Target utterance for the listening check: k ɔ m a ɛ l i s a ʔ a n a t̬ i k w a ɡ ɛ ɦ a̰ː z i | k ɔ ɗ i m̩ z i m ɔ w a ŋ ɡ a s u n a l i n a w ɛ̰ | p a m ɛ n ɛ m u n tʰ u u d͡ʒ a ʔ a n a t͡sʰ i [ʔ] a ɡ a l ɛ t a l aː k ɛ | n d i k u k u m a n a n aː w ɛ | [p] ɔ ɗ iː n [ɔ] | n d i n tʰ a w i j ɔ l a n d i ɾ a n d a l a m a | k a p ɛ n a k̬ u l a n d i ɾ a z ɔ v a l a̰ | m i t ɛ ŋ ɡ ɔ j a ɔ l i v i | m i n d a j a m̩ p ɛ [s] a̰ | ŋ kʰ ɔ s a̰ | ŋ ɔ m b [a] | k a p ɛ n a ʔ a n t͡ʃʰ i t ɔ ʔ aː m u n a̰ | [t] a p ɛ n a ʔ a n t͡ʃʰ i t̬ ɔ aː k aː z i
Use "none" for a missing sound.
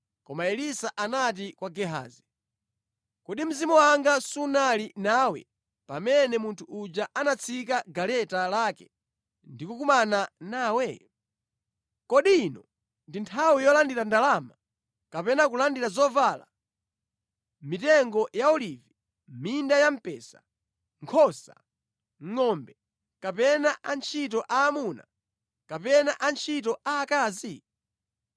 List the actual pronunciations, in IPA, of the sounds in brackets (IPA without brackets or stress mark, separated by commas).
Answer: k, k, ɔ, s, ɛ, k